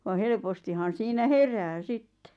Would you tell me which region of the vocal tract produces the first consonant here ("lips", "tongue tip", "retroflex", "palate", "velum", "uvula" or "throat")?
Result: lips